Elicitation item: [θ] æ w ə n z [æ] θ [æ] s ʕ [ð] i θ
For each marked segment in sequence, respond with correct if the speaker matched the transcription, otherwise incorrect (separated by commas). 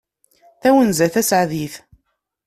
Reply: correct, correct, correct, correct